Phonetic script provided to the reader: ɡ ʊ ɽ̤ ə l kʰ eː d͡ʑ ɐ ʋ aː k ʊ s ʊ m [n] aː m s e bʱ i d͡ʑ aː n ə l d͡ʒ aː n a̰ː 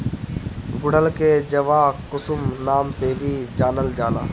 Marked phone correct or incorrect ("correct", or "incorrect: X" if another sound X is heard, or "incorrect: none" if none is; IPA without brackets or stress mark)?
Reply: correct